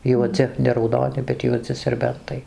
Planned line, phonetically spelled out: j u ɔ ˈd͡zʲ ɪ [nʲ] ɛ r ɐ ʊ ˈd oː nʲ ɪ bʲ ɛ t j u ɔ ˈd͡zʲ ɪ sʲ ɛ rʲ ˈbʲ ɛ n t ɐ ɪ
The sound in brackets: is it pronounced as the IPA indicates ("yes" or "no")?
yes